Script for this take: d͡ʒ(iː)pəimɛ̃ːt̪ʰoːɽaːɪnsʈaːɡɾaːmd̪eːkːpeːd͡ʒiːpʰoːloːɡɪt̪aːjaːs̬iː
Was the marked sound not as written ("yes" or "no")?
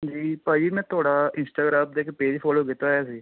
no